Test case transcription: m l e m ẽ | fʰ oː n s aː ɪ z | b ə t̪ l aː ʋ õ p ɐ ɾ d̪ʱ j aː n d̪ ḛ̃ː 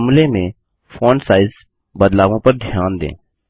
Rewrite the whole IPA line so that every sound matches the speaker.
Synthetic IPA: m l e m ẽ | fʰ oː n s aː ɪ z | b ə d̪ l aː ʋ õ p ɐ ɾ d̪ʱ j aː n d̪ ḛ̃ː